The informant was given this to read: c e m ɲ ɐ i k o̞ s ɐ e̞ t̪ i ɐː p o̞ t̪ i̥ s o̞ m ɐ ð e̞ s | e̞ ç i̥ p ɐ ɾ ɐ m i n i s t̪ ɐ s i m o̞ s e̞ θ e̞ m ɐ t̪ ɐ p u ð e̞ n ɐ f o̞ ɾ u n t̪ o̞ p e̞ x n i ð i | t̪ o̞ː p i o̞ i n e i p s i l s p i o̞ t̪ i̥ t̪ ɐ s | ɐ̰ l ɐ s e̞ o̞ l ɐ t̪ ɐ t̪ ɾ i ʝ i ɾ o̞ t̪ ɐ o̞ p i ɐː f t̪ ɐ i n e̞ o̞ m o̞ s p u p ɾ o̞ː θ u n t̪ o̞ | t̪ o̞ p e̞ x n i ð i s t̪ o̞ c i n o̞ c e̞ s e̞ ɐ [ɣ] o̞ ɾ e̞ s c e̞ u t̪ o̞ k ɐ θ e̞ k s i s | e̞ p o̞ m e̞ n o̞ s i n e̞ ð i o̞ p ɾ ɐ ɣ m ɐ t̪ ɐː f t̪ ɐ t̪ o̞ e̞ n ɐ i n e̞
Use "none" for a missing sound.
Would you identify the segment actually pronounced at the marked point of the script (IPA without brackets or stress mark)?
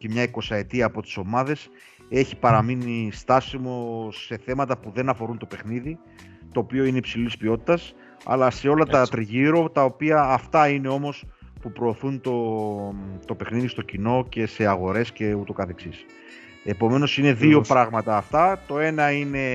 ɣ